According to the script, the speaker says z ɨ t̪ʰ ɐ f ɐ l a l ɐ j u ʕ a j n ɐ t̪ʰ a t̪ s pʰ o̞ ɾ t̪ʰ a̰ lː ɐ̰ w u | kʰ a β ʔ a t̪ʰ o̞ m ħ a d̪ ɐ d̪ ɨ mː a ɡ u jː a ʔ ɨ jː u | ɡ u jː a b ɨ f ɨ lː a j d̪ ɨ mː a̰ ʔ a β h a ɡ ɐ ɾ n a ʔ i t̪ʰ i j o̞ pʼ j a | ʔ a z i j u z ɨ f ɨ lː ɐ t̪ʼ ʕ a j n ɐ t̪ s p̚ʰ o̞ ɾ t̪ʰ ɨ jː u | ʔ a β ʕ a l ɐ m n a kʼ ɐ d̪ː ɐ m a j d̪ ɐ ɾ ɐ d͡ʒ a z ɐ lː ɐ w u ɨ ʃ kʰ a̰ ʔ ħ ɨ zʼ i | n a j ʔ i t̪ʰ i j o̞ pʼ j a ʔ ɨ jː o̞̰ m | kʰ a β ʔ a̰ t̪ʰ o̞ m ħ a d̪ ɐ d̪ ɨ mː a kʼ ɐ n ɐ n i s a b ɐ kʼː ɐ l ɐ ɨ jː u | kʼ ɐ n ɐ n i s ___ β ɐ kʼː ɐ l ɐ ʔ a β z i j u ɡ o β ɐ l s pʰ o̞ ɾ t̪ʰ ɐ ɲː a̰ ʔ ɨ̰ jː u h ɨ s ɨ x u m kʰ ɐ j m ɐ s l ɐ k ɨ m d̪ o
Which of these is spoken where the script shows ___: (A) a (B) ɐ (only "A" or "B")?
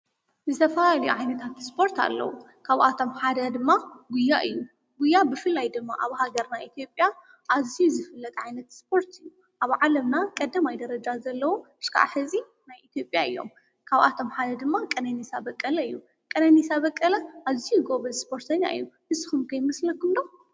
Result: A